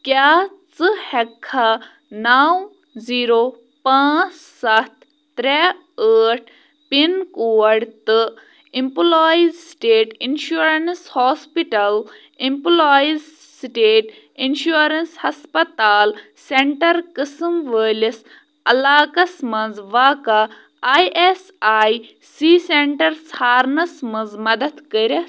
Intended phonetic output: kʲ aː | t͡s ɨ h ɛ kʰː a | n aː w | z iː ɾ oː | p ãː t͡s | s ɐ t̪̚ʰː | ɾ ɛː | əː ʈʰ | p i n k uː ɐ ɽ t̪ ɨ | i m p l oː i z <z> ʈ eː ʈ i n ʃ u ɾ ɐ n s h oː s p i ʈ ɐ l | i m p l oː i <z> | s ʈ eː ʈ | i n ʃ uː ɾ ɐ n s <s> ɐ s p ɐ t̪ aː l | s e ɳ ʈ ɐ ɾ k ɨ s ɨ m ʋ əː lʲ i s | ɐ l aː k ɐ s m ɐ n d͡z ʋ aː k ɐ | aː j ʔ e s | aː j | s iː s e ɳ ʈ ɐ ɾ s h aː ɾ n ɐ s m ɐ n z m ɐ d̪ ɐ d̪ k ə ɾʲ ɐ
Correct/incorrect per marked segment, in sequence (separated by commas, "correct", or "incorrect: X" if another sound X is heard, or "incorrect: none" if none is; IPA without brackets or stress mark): incorrect: s, correct, incorrect: h